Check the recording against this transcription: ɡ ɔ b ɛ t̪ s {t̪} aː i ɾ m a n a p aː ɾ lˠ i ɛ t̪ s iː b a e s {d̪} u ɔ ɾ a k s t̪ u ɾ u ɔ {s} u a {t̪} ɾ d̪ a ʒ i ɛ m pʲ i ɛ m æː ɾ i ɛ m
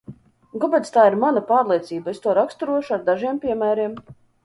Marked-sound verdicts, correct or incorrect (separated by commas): correct, incorrect, incorrect, incorrect